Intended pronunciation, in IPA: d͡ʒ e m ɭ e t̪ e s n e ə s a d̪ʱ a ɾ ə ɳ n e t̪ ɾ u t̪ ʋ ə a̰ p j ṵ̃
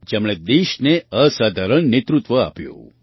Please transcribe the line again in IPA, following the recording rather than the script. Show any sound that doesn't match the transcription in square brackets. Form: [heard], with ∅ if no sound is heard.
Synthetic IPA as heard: d͡ʒ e m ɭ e [d̪] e [ʃ] n e ə s a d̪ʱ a ɾ ə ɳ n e t̪ ɾ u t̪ ʋ ə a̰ p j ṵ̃